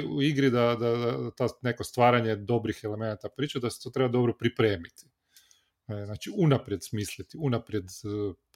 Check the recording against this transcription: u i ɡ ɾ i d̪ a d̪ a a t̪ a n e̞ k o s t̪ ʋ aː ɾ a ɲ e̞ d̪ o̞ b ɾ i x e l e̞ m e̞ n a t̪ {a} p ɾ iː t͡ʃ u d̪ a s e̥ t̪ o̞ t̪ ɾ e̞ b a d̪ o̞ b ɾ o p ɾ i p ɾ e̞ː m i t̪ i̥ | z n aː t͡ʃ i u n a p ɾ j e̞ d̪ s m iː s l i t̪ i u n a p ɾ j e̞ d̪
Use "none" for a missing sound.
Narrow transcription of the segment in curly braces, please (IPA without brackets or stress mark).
a